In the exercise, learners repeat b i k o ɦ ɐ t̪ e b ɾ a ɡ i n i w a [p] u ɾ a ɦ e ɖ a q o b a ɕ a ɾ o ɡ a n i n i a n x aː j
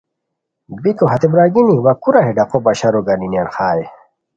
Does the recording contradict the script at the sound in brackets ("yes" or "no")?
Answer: yes